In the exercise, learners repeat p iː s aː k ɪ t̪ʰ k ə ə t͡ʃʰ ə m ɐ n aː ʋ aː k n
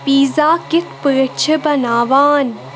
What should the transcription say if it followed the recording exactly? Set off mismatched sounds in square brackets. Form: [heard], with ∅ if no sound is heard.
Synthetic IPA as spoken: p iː [z] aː k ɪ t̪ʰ [p] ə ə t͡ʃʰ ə [b] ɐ n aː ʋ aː [∅] n